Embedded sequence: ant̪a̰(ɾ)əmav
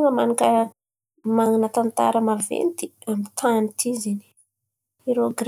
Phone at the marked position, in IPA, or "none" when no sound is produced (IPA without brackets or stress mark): ɾ